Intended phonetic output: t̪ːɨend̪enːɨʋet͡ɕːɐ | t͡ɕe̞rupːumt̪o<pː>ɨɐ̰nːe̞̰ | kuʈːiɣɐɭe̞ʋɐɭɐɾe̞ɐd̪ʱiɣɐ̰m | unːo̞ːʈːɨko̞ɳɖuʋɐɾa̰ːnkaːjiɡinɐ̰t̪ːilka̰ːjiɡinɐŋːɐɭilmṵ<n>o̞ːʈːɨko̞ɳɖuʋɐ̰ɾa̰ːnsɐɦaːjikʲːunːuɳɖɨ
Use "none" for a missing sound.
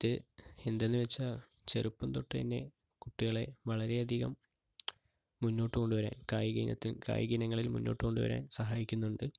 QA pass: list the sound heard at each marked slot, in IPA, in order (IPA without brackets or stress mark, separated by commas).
ʈː, nː